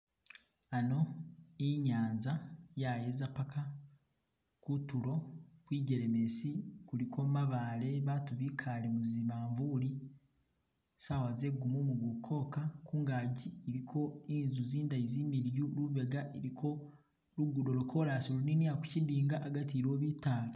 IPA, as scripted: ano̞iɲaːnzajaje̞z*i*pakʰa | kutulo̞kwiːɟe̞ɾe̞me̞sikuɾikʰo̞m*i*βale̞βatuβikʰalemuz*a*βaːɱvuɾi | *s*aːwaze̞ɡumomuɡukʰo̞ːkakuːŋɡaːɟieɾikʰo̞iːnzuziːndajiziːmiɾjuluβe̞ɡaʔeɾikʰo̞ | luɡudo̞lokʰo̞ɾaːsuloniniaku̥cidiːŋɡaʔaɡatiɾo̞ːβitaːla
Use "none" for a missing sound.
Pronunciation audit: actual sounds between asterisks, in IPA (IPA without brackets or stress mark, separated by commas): a, a, i, s